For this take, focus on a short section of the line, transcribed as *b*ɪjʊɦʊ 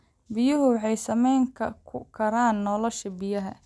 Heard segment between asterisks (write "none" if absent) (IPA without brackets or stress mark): b